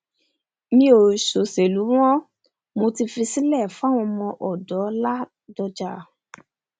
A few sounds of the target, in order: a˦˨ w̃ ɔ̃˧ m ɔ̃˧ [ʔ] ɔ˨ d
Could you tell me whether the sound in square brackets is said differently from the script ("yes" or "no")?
no